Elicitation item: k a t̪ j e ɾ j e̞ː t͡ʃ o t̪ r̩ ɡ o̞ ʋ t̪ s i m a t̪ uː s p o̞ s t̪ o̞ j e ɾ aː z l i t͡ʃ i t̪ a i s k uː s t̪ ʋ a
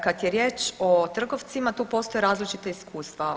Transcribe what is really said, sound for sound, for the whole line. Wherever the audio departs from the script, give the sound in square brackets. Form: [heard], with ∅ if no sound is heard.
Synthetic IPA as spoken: k a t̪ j e ɾ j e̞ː t͡ʃ o t̪ r̩ ɡ o̞ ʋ t̪ s i m a t̪ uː [∅] p o̞ s t̪ o̞ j e ɾ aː z l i t͡ʃ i t̪ a i s k uː s t̪ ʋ a